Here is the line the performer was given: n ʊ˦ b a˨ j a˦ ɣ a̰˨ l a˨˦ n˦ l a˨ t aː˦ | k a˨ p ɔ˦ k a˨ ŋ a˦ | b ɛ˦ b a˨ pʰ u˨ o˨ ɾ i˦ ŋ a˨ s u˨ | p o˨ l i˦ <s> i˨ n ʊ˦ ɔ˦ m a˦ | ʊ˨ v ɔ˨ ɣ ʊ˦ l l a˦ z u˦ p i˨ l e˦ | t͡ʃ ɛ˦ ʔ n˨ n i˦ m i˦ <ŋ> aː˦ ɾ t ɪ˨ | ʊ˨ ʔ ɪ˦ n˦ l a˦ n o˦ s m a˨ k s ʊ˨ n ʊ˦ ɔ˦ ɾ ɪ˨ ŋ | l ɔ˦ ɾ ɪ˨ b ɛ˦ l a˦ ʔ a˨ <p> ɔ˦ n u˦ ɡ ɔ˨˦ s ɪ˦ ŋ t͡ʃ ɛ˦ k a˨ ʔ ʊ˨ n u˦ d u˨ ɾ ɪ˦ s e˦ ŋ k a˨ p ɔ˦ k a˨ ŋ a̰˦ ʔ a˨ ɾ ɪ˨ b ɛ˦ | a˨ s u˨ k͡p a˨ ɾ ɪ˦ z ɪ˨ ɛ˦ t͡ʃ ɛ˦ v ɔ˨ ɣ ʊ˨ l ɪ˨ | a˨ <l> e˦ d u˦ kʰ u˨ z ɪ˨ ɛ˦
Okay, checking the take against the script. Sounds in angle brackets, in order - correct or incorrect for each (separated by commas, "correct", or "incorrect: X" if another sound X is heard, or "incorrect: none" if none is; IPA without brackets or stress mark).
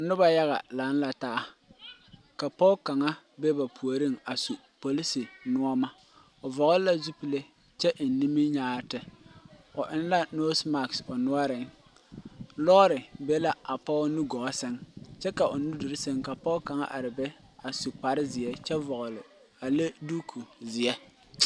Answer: correct, incorrect: ɲ, correct, correct